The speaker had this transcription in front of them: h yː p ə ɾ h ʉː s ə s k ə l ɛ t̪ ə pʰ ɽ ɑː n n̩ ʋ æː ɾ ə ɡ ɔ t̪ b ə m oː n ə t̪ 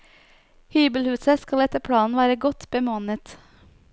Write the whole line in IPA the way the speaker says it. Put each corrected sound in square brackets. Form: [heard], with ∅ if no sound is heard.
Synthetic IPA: h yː [b] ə [l] h ʉː s ə s k [ɑ] l ɛ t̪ ə pʰ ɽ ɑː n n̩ ʋ æː ɾ ə ɡ ɔ t̪ b ə m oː n ə t̪